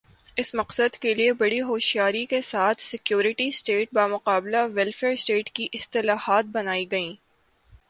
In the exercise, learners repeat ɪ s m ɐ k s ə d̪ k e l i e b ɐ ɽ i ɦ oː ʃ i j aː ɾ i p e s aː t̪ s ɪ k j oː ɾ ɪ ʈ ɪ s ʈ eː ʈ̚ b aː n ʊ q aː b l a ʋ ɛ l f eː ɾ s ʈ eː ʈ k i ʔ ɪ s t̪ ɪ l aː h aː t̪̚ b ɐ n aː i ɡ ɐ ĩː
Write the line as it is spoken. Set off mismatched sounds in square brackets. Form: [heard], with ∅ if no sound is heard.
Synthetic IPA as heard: ɪ s m ɐ [q] s ə d̪ k e l i e b ɐ ɽ i ɦ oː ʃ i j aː ɾ i [k] e s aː [t̪ʰ] s ɪ k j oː ɾ ɪ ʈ [i] s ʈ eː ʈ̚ b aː [m] ʊ q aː b l a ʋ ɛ l f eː ɾ s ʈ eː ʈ k i ʔ ɪ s t̪ ɪ l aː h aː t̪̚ b ɐ n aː i ɡ ɐ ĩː